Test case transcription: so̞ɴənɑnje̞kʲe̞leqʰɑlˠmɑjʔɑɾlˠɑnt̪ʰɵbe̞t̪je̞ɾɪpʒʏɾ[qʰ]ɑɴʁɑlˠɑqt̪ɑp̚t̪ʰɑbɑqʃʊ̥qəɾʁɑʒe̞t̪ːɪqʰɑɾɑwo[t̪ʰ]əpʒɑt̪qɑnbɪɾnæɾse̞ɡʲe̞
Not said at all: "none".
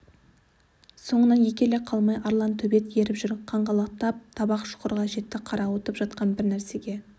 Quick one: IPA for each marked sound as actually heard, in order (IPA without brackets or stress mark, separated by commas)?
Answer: qʰ, t̪